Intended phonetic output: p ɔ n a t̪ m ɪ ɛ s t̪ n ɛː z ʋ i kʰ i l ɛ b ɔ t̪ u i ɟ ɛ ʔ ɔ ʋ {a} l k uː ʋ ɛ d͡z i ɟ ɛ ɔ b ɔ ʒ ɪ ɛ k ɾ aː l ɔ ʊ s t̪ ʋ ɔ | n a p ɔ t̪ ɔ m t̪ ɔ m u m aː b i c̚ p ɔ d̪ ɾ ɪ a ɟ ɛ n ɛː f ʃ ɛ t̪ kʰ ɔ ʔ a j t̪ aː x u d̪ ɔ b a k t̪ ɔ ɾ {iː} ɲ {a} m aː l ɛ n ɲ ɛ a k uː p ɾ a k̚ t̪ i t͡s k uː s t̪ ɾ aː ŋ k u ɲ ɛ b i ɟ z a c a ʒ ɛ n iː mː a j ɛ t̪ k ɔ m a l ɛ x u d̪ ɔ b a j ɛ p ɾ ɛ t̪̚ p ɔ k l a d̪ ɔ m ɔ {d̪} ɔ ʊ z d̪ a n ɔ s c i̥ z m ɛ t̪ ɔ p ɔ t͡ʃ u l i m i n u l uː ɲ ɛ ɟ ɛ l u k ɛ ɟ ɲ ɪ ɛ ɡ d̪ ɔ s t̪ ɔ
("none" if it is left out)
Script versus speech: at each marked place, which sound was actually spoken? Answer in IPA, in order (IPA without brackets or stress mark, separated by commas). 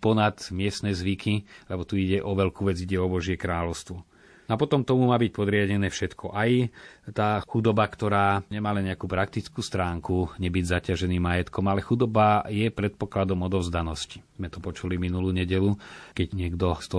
ɛ, aː, ɛ, d̪